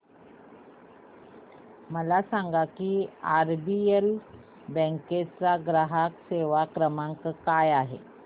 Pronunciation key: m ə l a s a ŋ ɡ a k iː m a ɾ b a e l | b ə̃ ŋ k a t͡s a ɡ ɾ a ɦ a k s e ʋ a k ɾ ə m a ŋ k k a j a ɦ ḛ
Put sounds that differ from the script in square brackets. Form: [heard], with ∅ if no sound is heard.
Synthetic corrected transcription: m ə l a s a ŋ ɡ a k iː [∅] a ɾ b [i] e l | b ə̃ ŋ k [e] t͡s a ɡ ɾ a ɦ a k s e ʋ a k ɾ ə m a ŋ k k a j a ɦ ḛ